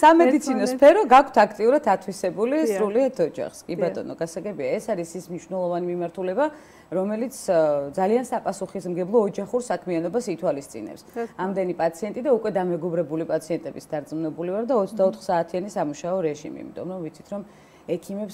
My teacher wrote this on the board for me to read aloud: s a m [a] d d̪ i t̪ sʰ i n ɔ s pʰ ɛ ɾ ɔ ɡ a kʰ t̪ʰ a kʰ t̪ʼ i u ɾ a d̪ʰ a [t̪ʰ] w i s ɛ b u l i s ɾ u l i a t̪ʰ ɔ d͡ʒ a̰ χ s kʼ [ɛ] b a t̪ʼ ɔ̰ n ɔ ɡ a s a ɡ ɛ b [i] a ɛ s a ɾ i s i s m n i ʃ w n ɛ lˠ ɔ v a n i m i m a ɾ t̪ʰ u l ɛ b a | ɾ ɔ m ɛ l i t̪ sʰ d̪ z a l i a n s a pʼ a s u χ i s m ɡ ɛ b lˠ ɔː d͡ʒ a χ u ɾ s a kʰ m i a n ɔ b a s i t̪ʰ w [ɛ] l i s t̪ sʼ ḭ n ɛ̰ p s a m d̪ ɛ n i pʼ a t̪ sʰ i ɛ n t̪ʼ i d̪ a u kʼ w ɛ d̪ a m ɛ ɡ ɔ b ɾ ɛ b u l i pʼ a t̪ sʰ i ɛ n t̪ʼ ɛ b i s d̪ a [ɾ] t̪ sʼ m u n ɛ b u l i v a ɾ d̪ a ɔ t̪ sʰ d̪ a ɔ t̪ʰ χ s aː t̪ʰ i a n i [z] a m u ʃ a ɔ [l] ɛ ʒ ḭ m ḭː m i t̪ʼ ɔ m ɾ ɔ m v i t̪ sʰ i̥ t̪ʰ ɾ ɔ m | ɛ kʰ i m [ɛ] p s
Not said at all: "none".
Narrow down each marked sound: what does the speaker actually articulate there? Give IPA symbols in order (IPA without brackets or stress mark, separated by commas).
ɛ, t̪ʰ, i, i, a, ɾ, s, ɾ, ɛ